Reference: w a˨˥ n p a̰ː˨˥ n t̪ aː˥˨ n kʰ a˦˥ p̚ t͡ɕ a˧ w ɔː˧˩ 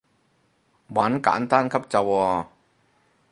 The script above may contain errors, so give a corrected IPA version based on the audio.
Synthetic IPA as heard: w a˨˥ n k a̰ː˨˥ n t̪ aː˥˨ n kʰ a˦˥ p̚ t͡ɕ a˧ w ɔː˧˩